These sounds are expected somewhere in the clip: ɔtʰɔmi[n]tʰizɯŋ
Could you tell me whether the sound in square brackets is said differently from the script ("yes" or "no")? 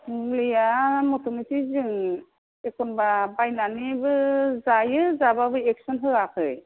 yes